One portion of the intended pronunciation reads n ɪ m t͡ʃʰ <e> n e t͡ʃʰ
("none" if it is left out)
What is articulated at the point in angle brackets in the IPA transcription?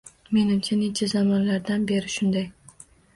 a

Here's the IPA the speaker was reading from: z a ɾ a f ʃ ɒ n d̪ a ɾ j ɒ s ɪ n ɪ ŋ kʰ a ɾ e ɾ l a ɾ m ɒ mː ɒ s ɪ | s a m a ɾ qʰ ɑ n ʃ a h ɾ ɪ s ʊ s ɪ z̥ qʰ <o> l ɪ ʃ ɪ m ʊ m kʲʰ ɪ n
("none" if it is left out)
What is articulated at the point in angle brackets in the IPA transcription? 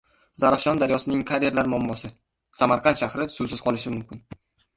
ɒ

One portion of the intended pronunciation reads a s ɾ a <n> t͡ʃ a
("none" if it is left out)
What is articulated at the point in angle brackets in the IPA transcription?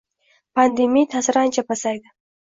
n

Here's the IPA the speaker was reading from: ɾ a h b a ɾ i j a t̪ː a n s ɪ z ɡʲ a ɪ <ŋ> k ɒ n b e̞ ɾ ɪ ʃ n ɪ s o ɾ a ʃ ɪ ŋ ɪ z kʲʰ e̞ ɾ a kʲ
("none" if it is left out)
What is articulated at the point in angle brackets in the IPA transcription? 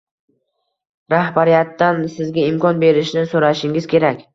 m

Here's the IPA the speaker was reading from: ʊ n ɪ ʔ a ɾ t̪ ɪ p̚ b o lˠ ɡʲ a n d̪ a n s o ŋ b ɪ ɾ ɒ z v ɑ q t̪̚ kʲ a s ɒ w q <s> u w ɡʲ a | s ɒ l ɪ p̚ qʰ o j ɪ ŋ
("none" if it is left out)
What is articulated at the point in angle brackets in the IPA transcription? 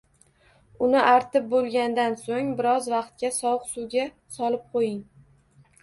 s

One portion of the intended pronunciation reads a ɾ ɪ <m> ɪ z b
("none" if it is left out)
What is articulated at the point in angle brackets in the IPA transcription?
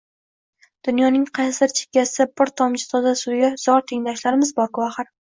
m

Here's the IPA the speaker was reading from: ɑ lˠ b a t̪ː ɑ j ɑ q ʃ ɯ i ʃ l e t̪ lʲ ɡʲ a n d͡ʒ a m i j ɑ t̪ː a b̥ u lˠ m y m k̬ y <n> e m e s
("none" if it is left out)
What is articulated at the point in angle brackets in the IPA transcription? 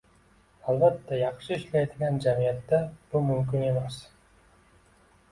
n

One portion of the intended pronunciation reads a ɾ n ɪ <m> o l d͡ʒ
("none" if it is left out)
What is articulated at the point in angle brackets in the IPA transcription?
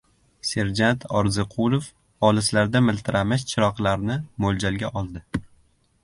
m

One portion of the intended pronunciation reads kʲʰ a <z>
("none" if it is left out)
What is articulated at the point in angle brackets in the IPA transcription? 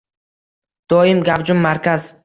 z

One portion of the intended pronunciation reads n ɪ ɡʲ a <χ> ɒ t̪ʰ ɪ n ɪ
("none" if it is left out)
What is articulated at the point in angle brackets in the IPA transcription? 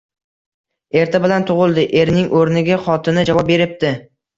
χ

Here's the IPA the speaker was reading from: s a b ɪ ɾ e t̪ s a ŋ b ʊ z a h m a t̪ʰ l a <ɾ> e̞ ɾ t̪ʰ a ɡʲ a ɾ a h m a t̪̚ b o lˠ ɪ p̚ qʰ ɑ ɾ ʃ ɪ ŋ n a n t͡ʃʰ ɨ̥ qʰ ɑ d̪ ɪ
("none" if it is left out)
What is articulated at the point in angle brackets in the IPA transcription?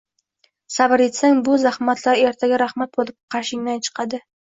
ɾ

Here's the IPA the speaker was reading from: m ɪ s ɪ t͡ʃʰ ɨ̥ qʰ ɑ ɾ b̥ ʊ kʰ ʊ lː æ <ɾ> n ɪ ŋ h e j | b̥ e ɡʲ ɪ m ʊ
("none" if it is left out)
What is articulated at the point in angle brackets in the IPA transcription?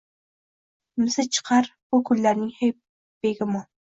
ɾ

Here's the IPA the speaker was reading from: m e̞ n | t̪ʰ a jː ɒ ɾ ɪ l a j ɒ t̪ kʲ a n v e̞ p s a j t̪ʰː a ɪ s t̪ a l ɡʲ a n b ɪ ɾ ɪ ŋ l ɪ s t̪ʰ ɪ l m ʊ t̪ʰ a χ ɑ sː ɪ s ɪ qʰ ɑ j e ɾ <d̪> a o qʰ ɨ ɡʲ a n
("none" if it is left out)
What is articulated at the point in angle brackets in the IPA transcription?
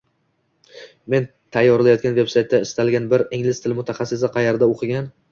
d̪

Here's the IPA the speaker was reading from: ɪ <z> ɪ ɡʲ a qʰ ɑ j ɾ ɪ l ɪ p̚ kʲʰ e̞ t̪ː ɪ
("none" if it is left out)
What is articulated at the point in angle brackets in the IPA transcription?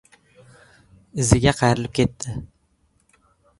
z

